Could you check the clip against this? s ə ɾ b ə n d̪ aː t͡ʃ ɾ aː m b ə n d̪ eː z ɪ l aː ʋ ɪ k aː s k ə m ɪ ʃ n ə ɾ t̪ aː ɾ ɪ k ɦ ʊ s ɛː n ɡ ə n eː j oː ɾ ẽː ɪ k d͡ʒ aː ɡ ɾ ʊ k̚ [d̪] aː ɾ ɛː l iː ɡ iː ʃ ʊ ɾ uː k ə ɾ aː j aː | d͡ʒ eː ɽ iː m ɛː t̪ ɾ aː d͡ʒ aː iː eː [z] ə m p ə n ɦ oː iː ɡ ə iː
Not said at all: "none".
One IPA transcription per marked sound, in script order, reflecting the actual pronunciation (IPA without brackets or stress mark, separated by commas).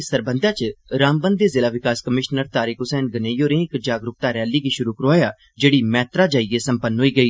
t̪, s